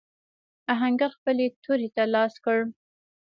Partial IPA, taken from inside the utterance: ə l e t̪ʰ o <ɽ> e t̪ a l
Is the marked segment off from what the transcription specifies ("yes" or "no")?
yes